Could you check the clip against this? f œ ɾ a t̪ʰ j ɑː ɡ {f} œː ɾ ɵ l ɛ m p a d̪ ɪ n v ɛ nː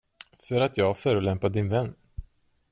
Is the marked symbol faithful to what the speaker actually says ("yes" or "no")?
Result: yes